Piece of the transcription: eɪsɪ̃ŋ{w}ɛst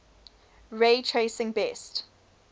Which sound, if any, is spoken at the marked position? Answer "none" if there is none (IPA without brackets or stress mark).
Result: b